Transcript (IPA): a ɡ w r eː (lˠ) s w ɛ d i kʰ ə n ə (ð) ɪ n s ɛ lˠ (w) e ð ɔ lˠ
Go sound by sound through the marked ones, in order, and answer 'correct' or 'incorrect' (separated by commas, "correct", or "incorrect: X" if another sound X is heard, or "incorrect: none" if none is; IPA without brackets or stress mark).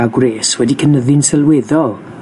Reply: incorrect: none, correct, correct